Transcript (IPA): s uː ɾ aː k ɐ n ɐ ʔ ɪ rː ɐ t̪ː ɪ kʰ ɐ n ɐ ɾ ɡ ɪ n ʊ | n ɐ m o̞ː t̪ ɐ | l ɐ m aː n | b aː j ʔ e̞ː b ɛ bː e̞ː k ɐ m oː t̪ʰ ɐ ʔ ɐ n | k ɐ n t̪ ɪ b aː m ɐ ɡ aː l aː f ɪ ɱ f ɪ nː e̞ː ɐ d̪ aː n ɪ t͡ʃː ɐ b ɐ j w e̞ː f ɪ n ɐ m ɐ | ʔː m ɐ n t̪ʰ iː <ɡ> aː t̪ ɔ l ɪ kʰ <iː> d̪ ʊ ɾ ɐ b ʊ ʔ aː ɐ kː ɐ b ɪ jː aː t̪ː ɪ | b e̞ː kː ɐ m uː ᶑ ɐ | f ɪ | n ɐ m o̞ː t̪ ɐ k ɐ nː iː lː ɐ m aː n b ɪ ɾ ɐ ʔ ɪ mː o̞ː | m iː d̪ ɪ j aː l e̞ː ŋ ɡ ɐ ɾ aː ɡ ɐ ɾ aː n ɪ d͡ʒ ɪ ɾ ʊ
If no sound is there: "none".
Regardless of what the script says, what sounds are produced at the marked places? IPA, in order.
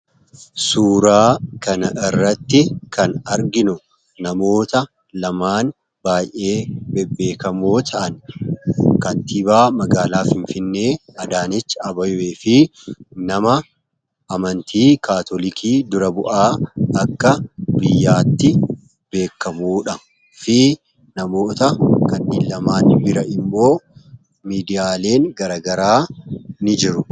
k, iː

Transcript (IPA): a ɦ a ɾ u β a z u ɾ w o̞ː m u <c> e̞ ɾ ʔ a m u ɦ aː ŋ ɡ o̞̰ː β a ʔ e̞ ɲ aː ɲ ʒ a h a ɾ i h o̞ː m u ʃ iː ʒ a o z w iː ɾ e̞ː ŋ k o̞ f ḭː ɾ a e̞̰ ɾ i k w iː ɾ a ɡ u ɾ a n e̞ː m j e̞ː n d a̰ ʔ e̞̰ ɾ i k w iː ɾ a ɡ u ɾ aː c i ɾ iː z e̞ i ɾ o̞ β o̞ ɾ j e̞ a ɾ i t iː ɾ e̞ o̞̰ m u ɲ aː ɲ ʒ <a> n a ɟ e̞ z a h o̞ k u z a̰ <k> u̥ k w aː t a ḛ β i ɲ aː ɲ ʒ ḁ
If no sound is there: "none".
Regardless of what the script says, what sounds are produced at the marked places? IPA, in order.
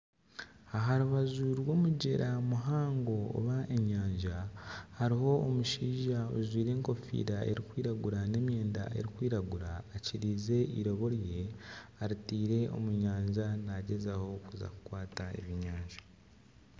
ɟ, a, k

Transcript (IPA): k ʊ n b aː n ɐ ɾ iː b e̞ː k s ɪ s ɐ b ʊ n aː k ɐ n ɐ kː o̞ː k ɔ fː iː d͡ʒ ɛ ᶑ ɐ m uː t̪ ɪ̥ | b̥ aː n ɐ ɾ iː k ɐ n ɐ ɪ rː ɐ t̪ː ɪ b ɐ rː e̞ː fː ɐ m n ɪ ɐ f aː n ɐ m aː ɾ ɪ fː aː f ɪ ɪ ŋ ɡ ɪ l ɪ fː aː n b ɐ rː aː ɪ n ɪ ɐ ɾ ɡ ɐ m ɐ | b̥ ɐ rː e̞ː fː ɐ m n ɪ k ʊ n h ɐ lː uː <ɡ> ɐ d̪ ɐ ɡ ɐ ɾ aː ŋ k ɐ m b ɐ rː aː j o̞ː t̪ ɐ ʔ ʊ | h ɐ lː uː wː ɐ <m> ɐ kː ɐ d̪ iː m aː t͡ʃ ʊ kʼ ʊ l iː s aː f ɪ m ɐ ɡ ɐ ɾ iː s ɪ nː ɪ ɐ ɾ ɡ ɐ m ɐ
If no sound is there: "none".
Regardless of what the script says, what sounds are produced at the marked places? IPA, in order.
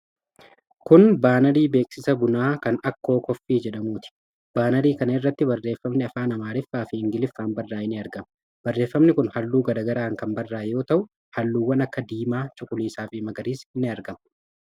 ɡ, n

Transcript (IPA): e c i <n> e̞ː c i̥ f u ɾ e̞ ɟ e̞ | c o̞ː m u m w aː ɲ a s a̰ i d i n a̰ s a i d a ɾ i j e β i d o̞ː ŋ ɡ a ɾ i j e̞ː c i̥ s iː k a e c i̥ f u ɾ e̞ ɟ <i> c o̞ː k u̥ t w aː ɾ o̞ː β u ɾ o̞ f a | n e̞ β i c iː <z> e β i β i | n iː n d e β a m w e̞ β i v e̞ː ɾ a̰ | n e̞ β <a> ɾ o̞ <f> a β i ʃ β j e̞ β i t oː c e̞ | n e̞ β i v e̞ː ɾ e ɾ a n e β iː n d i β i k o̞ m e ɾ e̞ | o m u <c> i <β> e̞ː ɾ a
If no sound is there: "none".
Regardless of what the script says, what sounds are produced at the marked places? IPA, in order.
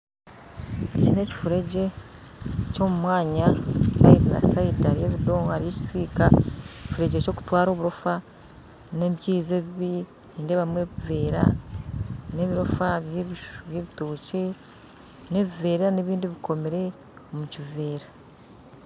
n, e, z, i, f, c, v

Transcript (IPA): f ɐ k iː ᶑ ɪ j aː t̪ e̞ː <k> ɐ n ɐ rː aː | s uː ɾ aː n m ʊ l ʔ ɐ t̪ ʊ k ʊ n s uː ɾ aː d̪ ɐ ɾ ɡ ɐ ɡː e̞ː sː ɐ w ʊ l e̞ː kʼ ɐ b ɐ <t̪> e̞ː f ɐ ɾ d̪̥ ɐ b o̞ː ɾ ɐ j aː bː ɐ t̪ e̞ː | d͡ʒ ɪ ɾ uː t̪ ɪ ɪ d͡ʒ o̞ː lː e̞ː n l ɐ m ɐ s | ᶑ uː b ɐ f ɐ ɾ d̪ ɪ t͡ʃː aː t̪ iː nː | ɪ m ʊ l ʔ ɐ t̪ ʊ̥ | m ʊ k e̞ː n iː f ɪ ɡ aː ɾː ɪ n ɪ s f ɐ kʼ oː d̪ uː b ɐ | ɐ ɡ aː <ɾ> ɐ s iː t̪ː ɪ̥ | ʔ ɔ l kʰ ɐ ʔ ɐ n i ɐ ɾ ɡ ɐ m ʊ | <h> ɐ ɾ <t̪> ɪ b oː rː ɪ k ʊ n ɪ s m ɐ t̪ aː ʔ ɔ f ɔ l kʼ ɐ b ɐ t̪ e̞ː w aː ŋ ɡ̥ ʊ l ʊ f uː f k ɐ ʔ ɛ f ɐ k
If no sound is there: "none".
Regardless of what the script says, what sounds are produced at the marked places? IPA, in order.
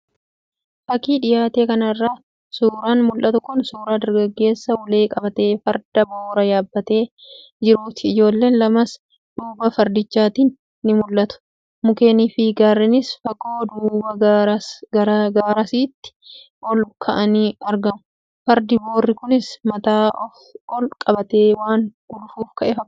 k, t̪, ɾ, f, d̪

